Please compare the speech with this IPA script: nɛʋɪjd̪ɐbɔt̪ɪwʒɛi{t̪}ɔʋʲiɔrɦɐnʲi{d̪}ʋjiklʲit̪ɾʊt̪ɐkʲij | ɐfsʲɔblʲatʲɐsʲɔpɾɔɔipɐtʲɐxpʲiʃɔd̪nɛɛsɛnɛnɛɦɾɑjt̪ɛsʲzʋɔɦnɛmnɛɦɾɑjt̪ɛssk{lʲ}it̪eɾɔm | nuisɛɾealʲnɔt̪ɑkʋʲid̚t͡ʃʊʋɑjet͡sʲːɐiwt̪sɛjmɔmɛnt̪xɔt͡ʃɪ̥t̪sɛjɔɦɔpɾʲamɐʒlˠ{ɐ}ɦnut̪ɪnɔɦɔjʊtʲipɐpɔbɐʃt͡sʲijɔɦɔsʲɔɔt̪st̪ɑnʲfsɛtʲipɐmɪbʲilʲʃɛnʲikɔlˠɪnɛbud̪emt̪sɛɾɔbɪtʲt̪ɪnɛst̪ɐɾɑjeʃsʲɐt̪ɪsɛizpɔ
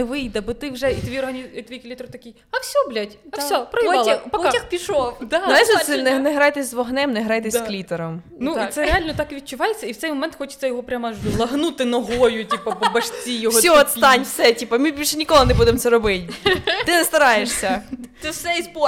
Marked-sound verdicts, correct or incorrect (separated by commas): correct, incorrect, correct, correct